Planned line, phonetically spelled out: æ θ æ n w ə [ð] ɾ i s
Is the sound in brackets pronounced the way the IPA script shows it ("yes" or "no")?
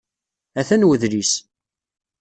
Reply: yes